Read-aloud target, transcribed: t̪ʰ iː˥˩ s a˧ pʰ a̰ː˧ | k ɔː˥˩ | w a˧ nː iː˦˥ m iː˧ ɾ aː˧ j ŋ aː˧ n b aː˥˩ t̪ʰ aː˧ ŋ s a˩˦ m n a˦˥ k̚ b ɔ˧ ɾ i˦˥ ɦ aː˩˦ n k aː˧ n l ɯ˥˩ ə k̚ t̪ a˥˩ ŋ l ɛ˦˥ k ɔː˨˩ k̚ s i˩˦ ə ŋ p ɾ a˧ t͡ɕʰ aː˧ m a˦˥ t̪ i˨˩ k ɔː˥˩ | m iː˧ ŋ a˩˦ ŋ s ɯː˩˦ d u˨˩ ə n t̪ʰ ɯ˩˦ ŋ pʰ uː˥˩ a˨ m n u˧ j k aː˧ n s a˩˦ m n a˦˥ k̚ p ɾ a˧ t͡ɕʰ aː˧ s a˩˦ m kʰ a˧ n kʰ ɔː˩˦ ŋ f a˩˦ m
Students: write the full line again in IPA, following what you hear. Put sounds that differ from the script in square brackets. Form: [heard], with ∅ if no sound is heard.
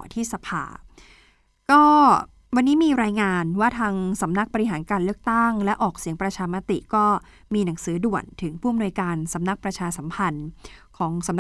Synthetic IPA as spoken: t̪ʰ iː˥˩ s a˧ pʰ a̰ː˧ | k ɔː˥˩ | w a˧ nː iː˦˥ m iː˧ ɾ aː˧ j ŋ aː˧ n [w] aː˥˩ t̪ʰ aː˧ ŋ s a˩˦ m n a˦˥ k̚ b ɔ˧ ɾ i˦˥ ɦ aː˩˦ n k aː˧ n l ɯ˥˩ ə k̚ t̪ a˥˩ ŋ l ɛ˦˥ [ʔ] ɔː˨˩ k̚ s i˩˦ ə ŋ p ɾ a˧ t͡ɕʰ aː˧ m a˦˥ t̪ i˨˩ k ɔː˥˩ | m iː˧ [n] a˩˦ ŋ s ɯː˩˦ d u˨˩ ə n t̪ʰ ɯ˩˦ ŋ pʰ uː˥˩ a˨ m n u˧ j k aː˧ n s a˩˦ m n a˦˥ k̚ p ɾ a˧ t͡ɕʰ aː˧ s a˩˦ m [pʰ] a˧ n kʰ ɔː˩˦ ŋ [s] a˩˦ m